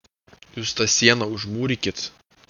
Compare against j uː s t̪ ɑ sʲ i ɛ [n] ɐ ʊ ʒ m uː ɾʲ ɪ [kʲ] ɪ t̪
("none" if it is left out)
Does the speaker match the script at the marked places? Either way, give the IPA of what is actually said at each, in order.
n, kʲ

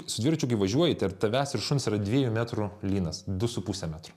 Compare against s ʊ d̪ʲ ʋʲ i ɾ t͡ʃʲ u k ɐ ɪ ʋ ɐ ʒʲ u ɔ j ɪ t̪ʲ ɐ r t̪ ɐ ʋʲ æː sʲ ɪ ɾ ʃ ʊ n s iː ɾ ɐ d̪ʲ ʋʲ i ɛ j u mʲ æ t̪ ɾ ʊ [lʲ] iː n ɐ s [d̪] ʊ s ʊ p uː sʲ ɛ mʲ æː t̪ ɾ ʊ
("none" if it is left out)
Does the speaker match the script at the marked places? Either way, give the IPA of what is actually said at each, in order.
lʲ, d̪

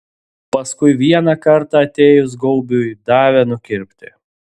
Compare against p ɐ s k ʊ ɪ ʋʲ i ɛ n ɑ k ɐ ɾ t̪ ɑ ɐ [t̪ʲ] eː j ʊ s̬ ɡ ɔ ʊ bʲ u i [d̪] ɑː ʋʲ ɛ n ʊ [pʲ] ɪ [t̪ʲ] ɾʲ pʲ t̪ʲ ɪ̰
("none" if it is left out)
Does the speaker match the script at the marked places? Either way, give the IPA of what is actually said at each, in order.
t̪ʲ, d̪, kʲ, none

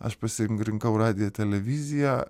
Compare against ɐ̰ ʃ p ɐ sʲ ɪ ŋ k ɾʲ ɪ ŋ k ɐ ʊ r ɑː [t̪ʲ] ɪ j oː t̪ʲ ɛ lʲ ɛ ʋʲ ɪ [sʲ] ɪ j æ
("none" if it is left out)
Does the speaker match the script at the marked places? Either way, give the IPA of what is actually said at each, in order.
d̪ʲ, zʲ

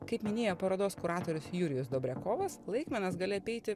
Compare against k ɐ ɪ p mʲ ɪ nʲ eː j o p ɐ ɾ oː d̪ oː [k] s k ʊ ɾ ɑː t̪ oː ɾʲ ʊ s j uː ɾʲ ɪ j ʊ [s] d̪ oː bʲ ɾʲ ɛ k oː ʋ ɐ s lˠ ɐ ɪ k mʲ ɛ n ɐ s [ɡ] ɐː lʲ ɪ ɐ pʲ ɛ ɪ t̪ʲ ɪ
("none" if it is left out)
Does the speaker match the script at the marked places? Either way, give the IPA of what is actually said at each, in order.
none, s, ɡ

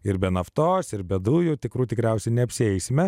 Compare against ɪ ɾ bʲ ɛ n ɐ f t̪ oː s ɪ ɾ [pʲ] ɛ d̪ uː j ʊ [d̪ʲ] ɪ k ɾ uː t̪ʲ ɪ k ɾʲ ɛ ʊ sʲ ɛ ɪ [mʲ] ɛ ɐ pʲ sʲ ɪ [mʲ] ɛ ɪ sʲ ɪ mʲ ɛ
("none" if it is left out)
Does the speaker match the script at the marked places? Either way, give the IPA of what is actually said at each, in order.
bʲ, t̪ʲ, nʲ, none

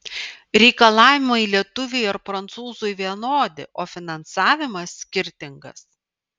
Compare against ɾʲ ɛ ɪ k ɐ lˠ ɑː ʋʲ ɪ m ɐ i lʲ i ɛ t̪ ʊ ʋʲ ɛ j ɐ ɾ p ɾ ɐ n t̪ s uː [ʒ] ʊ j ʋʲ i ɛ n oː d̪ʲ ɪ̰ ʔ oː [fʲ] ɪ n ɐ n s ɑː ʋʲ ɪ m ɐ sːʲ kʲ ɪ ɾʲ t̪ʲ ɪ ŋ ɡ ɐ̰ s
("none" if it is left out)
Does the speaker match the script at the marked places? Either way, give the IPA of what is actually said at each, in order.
z, fʲ

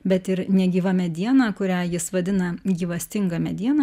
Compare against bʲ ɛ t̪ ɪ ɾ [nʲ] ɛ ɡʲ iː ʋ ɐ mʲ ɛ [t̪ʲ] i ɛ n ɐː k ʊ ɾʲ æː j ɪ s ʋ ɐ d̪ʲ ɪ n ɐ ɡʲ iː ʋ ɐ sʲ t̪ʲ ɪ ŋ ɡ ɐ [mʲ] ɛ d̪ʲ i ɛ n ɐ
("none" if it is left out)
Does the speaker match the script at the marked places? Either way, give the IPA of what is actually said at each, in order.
nʲ, d̪ʲ, mʲ

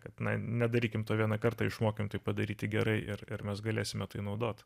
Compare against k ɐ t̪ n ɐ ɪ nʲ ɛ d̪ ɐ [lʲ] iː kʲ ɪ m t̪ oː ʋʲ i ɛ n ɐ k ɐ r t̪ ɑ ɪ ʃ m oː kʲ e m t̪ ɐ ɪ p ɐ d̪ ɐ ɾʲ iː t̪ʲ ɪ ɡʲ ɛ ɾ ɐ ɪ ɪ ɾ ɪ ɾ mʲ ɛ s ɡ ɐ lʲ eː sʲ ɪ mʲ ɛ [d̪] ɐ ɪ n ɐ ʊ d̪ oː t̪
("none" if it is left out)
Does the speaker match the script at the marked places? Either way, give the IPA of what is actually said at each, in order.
ɾʲ, t̪

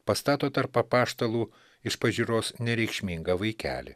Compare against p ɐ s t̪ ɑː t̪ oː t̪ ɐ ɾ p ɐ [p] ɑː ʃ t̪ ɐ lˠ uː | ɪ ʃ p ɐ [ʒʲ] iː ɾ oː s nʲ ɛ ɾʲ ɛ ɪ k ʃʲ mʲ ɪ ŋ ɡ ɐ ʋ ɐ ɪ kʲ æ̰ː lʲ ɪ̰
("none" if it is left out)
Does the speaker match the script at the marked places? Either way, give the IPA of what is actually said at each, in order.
p, ʒʲ

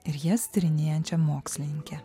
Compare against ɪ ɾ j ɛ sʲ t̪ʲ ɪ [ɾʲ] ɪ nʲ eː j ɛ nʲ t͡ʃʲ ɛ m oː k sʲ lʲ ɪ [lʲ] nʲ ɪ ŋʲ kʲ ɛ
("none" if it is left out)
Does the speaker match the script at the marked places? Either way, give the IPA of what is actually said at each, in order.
ɾʲ, none

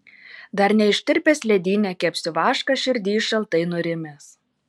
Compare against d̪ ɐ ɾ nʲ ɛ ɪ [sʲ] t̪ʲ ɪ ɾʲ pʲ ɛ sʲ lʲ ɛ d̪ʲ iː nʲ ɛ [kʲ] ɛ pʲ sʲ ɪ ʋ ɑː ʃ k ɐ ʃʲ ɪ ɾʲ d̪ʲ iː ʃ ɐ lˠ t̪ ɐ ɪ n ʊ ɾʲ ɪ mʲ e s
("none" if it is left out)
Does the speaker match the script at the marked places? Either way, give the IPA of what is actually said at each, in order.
ʃʲ, kʲ

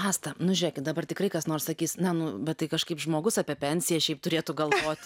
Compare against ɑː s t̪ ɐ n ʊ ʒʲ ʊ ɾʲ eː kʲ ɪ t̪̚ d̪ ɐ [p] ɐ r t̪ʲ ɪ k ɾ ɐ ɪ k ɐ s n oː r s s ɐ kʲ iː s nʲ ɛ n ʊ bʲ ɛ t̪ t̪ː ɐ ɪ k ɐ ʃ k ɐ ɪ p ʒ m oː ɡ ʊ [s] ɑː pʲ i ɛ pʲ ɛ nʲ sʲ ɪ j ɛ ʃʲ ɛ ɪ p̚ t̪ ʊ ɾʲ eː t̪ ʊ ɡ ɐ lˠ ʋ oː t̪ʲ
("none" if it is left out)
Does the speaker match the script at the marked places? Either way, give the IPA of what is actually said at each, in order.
b, s

